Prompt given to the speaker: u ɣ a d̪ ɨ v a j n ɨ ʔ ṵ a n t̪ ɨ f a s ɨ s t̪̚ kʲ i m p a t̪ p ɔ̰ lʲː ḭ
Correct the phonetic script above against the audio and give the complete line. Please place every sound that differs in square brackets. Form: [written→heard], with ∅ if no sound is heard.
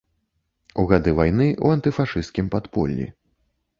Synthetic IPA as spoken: u ɣ a d̪ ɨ v a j n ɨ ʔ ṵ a n t̪ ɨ f a [s→ʂ] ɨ s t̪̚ kʲ i m p a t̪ p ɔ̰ lʲː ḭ

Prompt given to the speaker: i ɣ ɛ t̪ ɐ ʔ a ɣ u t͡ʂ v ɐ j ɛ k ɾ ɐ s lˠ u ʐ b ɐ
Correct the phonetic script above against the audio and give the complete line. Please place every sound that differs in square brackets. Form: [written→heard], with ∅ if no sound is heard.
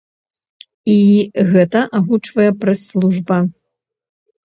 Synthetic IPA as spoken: i ɣ ɛ t̪ ɐ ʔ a ɣ u t͡ʂ v ɐ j ɛ [k→p] ɾ ɐ s lˠ u ʐ b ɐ

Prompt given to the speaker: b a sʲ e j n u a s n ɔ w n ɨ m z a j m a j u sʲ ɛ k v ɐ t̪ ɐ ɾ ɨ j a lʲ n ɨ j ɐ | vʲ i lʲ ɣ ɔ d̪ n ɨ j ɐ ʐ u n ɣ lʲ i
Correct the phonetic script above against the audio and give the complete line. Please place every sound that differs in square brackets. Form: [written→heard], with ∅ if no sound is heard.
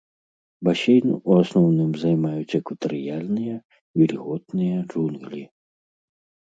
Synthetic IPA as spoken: b a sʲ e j n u a s n ɔ w n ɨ m z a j m a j u [sʲ→t͡sʲ] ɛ k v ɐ t̪ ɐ ɾ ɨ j a lʲ n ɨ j ɐ | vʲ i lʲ ɣ ɔ [d̪→t̪] n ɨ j ɐ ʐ u n ɣ lʲ i

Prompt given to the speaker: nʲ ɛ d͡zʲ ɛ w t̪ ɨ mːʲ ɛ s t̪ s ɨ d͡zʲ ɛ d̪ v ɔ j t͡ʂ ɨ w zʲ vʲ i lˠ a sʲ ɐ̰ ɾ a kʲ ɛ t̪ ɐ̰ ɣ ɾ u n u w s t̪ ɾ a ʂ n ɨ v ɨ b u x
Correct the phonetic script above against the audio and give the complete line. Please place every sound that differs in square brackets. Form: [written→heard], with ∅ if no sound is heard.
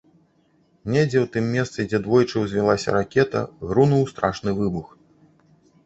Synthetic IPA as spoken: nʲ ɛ d͡zʲ ɛ w t̪ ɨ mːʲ ɛ s t̪ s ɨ d͡zʲ ɛ d̪ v ɔ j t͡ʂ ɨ w zʲ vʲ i lˠ a sʲ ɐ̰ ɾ a kʲ ɛ t̪ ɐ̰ ɣ ɾ u n u w s t̪ ɾ a ʂ n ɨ v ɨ b u x

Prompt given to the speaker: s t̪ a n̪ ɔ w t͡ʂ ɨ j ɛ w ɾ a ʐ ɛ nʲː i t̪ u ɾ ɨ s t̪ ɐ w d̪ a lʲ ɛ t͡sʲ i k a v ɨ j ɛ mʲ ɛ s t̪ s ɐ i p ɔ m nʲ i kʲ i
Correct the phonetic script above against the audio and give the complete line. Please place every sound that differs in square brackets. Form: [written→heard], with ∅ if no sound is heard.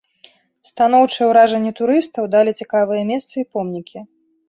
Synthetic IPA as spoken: s t̪ a n̪ ɔ w t͡ʂ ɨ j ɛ w ɾ a ʐ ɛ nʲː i t̪ u ɾ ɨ s t̪ ɐ w d̪ a lʲ [ɛ→i] t͡sʲ i k a v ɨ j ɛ mʲ ɛ s t̪ s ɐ i p ɔ m nʲ i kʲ i

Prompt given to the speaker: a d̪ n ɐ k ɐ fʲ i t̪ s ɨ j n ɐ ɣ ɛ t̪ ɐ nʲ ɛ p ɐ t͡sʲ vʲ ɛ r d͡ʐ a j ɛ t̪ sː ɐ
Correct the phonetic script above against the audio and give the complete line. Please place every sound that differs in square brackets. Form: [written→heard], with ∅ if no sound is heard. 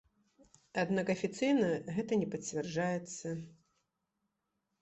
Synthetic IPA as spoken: a d̪ n [ɐ→a] k ɐ fʲ i t̪ s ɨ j n ɐ ɣ ɛ t̪ ɐ nʲ ɛ p ɐ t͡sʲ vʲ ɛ r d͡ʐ a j ɛ t̪ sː ɐ

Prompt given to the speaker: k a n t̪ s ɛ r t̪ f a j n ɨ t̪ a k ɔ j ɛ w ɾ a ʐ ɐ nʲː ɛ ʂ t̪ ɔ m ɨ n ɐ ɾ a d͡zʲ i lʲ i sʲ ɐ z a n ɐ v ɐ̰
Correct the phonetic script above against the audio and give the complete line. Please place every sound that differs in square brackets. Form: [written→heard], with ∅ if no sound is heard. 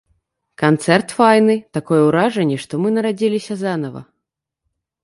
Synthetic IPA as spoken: k a n t̪ s ɛ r t̪ f a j n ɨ t̪ a k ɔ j ɛ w ɾ a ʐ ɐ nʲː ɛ ʂ t̪ ɔ m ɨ n ɐ ɾ a d͡zʲ i lʲ i sʲ ɐ z a n ɐ v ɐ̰

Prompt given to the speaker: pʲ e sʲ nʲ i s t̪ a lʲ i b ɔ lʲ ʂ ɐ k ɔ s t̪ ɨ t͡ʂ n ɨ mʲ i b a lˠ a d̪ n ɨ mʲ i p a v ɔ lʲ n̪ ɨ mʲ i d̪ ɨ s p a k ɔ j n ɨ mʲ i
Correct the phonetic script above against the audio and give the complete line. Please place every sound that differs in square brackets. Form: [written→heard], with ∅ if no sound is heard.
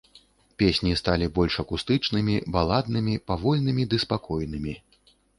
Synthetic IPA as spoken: pʲ e sʲ nʲ i s t̪ a lʲ i b ɔ lʲ ʂ ɐ k [ɔ→u] s t̪ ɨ t͡ʂ n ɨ mʲ i b a lˠ a d̪ n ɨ mʲ i p a v ɔ lʲ n̪ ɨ mʲ i d̪ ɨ s p a k ɔ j n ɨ mʲ i

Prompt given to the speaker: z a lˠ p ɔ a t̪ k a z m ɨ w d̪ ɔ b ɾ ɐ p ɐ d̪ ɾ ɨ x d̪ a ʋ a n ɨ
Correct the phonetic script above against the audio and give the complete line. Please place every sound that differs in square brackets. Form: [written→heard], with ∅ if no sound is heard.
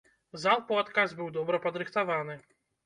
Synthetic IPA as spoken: z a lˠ p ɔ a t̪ k a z [m→b] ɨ w d̪ ɔ b ɾ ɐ p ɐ d̪ ɾ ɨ x [d̪→t̪] a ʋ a n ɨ

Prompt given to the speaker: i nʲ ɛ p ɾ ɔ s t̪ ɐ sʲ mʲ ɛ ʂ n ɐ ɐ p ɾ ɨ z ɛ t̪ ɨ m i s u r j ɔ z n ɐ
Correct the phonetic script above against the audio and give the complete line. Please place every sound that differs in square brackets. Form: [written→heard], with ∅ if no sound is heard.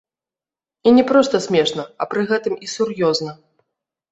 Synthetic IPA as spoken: i nʲ ɛ p ɾ ɔ s t̪ ɐ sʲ mʲ ɛ ʂ n ɐ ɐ p ɾ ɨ [z→ɣ] ɛ t̪ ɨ m i s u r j ɔ z n ɐ

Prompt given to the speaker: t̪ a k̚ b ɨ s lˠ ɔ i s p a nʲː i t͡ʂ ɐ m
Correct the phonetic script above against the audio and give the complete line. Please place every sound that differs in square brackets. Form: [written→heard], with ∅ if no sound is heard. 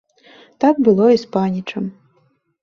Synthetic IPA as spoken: t̪ a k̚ b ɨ [s→∅] lˠ ɔ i s p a [nʲː→nʲ] i t͡ʂ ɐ m

